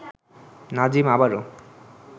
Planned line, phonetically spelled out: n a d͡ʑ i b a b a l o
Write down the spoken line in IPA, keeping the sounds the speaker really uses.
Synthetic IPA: n a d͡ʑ i m a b a ɾ o